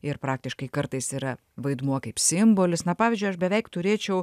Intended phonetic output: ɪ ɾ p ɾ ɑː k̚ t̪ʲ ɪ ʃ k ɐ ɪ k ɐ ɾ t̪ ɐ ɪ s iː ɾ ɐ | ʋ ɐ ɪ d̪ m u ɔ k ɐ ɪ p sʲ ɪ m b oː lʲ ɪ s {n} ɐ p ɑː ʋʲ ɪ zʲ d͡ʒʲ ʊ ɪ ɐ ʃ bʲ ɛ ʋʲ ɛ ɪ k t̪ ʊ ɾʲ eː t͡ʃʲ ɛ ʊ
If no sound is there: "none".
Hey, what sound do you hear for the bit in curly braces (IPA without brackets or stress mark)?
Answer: n